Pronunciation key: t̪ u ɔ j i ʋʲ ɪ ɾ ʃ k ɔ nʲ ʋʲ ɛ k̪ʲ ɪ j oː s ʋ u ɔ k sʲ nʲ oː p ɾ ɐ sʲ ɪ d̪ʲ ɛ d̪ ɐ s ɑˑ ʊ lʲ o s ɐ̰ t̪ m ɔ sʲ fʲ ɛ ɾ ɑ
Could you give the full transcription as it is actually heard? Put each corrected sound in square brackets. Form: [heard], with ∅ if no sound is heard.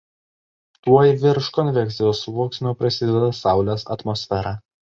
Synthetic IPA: t̪ u ɔ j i ʋʲ ɪ ɾ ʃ k ɔ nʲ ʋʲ ɛ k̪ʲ ɪ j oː s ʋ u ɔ k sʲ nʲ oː p ɾ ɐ sʲ ɪ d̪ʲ ɛ d̪ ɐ s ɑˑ ʊ lʲ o s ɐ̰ t̪ m ɔ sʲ fʲ ɛ ɾ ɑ